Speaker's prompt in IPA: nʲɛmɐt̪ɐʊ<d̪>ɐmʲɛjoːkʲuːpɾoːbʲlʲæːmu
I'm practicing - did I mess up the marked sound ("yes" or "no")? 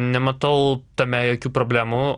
yes